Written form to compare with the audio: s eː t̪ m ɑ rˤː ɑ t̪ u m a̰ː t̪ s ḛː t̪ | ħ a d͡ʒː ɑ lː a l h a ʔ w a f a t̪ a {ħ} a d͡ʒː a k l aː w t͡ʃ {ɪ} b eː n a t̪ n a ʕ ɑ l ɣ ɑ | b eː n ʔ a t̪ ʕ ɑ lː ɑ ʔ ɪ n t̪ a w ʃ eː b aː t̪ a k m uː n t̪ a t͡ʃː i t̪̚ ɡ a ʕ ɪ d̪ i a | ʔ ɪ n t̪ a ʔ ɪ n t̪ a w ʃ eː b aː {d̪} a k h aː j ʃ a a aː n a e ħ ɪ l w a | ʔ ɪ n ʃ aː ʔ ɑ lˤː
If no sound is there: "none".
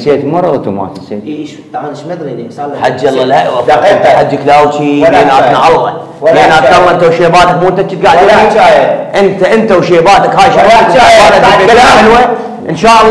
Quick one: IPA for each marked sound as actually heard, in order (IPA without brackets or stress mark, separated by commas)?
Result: ħ, i, t̪